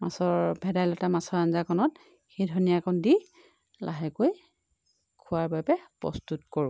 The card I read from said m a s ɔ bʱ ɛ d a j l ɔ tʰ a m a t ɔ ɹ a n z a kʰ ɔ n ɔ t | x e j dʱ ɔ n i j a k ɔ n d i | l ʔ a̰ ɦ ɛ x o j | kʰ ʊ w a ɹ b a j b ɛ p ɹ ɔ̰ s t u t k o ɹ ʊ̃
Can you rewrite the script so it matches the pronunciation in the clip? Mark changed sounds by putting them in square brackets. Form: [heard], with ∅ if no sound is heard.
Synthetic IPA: m a s ɔ bʱ ɛ d a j l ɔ [t] a m a [s] ɔ ɹ a n z a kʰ ɔ n ɔ t | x e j dʱ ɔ n i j a k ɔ n d i | l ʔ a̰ ɦ ɛ [k] o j | kʰ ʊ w a ɹ b a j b ɛ p ɹ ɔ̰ s t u t k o ɹ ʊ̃

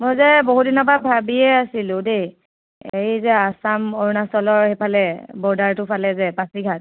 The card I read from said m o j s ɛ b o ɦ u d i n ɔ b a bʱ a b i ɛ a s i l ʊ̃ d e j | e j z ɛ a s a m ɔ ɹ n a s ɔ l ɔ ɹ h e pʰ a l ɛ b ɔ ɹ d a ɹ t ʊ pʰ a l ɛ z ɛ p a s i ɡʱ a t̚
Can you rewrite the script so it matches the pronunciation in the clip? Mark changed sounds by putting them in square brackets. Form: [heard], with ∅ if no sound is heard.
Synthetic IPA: m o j [z] ɛ b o ɦ u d i n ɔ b a bʱ a b i ɛ a s i l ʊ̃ d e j | e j z ɛ a s a m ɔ ɹ n a s ɔ l ɔ ɹ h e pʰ a l ɛ b ɔ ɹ d a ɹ t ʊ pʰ a l ɛ z ɛ p a s i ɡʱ a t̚

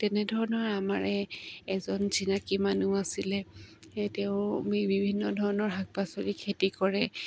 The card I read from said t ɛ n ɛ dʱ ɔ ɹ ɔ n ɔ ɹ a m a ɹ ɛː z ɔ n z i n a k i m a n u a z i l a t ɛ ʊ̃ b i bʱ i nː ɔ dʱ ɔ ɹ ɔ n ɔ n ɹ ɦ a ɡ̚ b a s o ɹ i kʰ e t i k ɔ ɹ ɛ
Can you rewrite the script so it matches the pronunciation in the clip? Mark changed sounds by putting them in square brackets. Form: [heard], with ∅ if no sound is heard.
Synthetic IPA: t ɛ n ɛ dʱ ɔ ɹ ɔ n ɔ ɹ a m a ɹ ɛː z ɔ n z i n a k i m a n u a [s] i l [ɛ] t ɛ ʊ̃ b i bʱ i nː ɔ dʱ ɔ ɹ ɔ n ɔ [∅] ɹ ɦ a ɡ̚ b a s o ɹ i kʰ e t i k ɔ ɹ ɛ

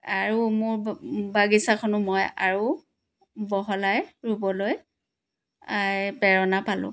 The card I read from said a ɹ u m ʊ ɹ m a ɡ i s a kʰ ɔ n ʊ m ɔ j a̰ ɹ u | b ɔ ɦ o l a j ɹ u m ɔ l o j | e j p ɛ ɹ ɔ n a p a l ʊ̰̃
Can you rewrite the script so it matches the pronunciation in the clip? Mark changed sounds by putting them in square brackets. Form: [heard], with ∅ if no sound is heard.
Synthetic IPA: a ɹ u m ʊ ɹ [b] a ɡ i s a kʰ ɔ n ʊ m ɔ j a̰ ɹ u | b ɔ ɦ [ɔ] l a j ɹ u [b] ɔ l o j | [a] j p ɛ ɹ ɔ n a p a l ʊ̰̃

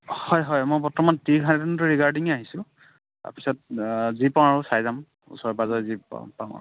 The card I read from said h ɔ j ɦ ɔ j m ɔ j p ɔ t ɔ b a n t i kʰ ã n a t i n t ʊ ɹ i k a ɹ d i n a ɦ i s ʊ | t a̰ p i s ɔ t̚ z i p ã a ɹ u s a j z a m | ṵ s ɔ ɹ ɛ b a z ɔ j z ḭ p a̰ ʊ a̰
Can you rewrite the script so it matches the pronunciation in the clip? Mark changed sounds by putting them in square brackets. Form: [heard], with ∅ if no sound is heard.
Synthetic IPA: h ɔ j ɦ ɔ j m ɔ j p ɔ t ɔ [m] a n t i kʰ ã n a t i n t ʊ ɹ i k a ɹ d i [ŋ] a ɦ i s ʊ | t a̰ p i s ɔ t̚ z i p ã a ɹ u s a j z a m | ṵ s ɔ ɹ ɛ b a z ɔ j z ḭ p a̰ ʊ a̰

